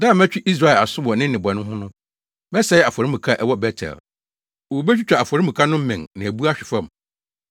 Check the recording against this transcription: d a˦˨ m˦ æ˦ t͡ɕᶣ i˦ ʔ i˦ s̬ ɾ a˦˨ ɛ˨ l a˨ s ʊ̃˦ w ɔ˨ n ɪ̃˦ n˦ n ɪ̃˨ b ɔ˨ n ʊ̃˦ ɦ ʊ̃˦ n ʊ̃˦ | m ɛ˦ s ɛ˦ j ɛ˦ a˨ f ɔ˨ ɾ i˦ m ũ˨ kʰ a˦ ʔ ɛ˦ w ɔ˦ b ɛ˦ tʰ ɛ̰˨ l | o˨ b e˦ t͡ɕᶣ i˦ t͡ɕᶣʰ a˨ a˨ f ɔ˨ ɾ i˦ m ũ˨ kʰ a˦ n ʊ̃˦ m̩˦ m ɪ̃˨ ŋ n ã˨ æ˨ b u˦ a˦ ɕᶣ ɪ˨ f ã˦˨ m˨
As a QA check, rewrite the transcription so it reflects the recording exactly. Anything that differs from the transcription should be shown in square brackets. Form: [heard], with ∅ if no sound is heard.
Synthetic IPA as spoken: d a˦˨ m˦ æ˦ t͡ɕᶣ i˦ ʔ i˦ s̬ ɾ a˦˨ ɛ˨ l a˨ s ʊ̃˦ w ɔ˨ n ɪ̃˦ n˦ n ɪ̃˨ b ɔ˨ n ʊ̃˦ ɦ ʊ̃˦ n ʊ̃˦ | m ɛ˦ s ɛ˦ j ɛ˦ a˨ f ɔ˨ ɾ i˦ m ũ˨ kʰ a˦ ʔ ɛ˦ w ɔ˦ b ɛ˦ tʰ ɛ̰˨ l | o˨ b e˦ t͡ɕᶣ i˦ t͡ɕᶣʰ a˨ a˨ f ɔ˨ ɾ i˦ m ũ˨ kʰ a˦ n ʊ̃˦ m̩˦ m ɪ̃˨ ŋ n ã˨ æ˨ b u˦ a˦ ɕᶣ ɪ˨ f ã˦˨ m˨

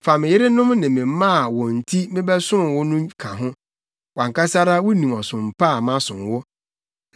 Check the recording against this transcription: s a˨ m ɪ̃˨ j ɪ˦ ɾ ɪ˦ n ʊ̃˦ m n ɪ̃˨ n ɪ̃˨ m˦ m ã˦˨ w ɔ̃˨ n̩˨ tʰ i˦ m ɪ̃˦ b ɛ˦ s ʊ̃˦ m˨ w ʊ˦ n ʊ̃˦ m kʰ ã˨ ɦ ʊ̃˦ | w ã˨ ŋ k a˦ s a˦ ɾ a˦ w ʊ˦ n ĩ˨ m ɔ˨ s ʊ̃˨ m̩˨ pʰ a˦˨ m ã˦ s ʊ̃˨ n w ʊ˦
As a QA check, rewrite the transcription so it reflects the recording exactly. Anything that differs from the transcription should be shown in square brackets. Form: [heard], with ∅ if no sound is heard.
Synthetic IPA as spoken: [f] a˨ m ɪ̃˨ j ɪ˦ ɾ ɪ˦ n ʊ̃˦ m n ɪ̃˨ [m] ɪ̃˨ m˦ m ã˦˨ w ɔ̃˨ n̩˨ tʰ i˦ m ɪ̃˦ b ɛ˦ s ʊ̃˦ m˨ w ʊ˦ n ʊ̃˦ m kʰ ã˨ ɦ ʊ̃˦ | w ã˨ ŋ k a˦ s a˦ ɾ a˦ w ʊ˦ n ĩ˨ m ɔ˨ s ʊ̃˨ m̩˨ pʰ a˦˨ m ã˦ s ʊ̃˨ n w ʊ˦

